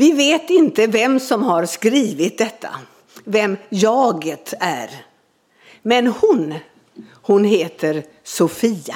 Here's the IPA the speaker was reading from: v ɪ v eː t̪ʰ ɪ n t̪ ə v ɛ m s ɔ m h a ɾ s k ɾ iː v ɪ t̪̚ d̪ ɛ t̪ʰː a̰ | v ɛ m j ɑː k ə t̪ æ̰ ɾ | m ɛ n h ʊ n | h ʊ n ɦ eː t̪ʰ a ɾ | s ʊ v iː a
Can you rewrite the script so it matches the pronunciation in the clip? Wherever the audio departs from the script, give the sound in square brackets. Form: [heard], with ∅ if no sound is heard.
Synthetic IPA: v ɪ v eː [t̪] ɪ n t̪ ə v ɛ m s ɔ m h a ɾ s k ɾ iː v ɪ t̪̚ d̪ ɛ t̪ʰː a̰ | v ɛ m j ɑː [ɡ] ə t̪ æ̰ ɾ | m ɛ n h ʊ n | h ʊ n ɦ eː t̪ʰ [ə] ɾ | s ʊ [f] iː a